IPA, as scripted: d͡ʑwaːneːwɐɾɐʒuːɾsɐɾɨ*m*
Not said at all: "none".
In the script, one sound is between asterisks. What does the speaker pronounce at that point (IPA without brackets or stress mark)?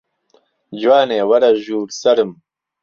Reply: m